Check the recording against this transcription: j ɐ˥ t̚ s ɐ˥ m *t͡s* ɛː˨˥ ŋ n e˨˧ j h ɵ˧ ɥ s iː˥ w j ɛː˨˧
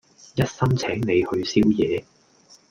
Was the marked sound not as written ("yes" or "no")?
yes